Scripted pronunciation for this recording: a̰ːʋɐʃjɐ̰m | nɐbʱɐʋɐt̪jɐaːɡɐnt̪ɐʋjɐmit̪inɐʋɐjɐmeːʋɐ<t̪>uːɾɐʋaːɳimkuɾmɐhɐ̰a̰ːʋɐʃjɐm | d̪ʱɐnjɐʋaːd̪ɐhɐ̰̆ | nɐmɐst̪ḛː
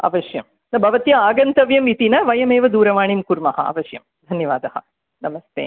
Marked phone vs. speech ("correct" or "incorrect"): incorrect